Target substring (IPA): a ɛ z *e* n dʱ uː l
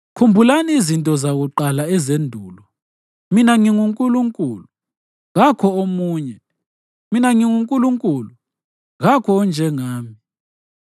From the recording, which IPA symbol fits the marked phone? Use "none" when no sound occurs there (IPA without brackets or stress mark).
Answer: e